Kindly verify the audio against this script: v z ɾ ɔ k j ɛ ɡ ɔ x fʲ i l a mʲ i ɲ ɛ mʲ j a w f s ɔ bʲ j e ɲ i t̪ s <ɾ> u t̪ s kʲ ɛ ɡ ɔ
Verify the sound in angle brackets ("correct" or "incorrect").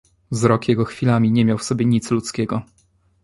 incorrect